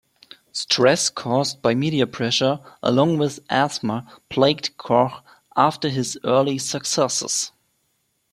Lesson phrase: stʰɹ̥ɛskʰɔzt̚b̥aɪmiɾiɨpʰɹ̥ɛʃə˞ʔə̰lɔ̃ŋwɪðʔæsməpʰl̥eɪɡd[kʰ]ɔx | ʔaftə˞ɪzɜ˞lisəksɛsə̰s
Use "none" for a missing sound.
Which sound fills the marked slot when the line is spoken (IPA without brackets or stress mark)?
kʰ